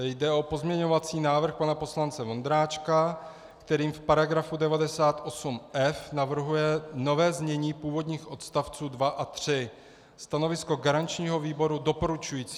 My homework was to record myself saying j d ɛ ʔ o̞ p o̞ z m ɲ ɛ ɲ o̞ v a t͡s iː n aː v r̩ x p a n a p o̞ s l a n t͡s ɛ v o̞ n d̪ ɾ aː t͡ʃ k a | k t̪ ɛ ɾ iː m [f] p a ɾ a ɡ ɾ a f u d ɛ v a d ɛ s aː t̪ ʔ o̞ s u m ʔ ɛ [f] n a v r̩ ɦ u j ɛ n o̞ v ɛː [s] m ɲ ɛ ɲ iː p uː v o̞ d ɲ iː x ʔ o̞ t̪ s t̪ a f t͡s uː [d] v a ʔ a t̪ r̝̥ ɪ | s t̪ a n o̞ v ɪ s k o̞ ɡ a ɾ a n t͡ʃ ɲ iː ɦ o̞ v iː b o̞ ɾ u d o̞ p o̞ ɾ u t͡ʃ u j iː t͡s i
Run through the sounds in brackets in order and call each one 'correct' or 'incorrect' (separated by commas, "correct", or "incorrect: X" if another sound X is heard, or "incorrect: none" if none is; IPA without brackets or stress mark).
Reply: correct, correct, incorrect: z, correct